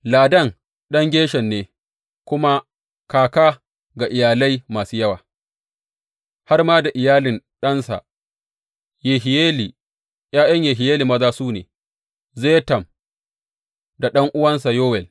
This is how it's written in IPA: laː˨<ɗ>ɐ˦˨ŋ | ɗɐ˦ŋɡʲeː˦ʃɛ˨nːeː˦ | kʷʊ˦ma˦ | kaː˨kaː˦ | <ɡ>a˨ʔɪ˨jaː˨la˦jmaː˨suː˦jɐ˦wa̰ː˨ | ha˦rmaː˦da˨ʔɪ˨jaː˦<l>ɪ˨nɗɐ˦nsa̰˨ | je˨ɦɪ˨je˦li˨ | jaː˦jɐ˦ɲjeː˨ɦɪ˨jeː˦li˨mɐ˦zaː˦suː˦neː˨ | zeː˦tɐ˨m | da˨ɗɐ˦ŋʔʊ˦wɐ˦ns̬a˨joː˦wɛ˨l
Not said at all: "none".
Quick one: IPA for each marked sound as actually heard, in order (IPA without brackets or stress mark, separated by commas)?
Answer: d, ɡ, l